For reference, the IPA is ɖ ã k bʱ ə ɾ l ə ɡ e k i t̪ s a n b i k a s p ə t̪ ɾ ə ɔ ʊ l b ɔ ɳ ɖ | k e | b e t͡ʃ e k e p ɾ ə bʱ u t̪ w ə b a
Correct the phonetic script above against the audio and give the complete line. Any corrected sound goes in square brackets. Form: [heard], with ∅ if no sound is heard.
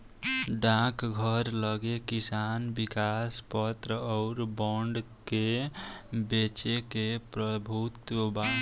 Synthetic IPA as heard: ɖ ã k [ɡʱ] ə ɾ l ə ɡ e k i [∅] s a n b i k a s p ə t̪ ɾ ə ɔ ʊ [ɾ] b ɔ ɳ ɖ | k e | b e t͡ʃ e k e p ɾ ə bʱ u t̪ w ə b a

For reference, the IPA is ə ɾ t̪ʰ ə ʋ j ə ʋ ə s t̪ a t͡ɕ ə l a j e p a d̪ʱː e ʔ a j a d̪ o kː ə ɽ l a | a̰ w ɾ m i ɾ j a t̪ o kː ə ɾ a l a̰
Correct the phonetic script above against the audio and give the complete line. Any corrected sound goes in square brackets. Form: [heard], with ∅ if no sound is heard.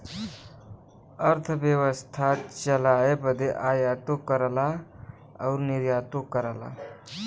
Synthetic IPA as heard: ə ɾ t̪ʰ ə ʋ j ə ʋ ə s [t̪ʰ] a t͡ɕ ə l a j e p [ə] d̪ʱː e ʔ a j a [t̪] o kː ə [ɾ] l a | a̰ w ɾ [n] i ɾ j a t̪ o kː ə ɾ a l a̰

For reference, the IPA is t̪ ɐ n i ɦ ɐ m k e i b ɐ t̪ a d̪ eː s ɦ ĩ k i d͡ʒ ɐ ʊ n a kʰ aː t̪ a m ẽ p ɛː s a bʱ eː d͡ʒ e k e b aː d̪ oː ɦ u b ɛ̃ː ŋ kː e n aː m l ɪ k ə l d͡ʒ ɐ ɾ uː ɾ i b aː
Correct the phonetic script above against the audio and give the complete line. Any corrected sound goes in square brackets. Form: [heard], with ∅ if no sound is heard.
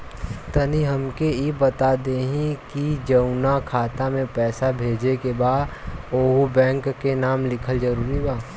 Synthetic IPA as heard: t̪ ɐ n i ɦ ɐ m k e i b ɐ t̪ a d̪ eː [∅] ɦ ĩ k i d͡ʒ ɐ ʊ n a kʰ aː t̪ a m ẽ p ɛː s a bʱ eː d͡ʒ e k e b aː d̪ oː ɦ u b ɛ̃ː ŋ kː e n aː m l ɪ [kʰ] ə l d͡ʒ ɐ ɾ uː ɾ i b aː

